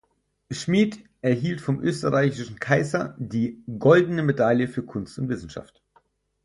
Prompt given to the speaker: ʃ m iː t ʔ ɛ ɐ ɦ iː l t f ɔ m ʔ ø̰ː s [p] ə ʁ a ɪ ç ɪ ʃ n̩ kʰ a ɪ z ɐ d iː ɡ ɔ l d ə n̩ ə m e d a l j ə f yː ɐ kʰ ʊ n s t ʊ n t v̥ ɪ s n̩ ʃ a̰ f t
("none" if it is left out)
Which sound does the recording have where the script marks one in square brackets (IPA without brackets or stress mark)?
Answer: t